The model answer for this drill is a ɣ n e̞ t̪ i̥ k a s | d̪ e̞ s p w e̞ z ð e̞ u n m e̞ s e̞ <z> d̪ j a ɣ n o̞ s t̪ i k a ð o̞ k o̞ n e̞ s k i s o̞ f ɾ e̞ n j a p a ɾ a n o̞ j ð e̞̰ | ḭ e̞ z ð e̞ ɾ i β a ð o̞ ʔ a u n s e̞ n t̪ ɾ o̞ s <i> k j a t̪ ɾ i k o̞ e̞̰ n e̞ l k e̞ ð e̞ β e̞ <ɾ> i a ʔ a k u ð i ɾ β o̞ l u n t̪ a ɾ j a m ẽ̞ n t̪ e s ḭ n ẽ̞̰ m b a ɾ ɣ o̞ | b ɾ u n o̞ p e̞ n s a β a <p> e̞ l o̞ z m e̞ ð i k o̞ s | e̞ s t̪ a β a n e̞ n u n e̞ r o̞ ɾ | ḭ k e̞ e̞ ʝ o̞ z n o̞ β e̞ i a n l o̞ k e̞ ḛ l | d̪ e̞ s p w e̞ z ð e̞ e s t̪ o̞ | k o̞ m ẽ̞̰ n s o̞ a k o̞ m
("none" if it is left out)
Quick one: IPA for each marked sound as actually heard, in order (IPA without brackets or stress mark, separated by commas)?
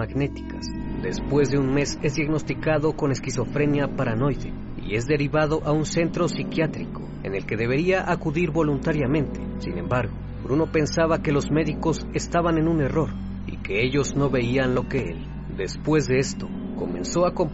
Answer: z, i, ɾ, k